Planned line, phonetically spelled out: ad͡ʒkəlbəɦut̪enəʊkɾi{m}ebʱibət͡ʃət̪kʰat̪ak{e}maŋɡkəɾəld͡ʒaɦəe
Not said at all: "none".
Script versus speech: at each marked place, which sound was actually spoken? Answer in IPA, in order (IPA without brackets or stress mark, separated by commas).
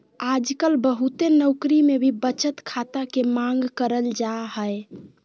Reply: m, e